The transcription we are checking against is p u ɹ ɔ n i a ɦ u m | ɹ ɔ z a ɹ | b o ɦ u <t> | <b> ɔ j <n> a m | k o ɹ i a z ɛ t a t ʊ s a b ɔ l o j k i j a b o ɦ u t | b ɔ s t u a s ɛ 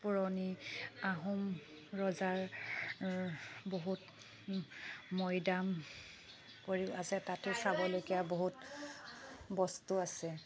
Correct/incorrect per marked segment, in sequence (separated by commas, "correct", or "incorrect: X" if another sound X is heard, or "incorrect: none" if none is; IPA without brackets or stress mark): correct, incorrect: m, incorrect: d